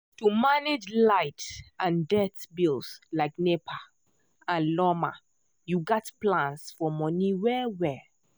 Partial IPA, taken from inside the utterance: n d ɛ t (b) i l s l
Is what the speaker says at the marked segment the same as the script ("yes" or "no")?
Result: yes